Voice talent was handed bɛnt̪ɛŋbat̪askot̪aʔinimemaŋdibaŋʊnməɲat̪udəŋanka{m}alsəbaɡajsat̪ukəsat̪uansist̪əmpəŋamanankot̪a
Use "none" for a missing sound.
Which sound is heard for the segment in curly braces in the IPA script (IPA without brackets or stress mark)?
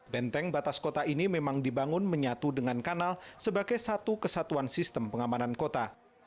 n